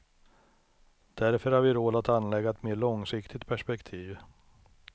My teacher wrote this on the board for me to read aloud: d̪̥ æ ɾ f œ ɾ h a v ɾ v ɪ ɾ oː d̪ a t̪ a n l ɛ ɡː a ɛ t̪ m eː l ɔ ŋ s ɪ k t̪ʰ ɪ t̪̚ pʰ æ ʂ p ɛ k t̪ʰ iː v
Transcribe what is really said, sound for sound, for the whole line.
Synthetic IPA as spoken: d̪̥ æ ɾ f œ ɾ h a ɾ v ɪ ɾ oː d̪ a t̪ a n l ɛ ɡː a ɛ t̪ m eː ɭ ɔ ŋ s ɪ k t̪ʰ ɪ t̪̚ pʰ æ ʂ p ɛ k t̪ʰ iː v